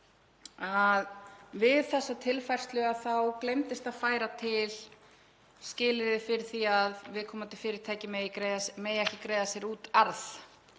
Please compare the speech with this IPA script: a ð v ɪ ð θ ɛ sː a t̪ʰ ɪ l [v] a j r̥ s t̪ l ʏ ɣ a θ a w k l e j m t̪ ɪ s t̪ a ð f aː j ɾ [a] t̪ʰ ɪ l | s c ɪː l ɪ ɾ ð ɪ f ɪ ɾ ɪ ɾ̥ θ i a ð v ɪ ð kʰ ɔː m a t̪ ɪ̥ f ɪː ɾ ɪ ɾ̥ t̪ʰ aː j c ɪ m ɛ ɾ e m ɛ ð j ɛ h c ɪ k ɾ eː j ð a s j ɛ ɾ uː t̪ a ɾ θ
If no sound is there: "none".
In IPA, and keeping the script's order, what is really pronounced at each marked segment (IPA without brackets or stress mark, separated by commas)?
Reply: f, a